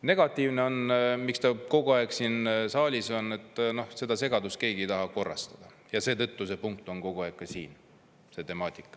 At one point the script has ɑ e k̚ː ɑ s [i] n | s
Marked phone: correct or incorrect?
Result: incorrect